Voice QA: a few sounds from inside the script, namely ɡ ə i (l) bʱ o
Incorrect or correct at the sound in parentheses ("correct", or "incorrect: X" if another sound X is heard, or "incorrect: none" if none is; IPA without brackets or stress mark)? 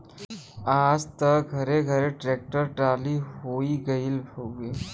correct